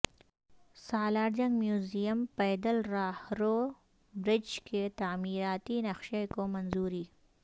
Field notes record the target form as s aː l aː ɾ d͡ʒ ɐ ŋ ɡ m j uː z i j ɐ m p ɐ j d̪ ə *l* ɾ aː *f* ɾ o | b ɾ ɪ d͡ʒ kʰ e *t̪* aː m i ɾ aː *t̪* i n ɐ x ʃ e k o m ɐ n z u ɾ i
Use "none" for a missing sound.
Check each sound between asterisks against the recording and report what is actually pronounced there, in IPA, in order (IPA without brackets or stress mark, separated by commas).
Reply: l, h, t̪, t̪